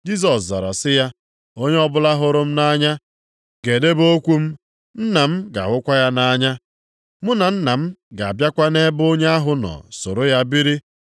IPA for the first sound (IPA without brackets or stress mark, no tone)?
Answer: d͡ʒ